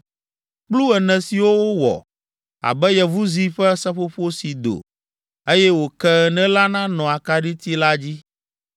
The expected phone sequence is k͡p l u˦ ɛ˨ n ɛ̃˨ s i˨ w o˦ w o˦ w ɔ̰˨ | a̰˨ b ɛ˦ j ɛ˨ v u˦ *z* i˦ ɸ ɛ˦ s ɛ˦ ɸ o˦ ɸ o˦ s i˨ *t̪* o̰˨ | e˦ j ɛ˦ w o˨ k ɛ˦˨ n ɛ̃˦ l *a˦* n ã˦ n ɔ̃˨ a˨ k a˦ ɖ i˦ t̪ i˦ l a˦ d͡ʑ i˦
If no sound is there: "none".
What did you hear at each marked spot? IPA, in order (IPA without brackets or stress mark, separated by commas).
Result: z, d̪, a˦